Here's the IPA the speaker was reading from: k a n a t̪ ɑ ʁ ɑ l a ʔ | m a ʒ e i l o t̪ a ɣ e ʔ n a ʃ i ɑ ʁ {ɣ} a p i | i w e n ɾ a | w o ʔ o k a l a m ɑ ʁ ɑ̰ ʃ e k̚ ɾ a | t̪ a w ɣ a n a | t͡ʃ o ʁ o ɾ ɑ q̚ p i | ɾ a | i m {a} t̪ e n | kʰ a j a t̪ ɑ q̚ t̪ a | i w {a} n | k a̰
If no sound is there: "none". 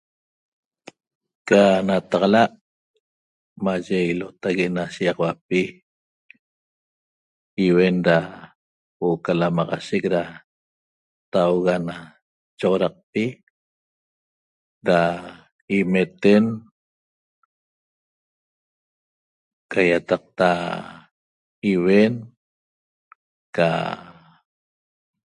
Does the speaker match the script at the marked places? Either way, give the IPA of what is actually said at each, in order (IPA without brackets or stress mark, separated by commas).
w, e, e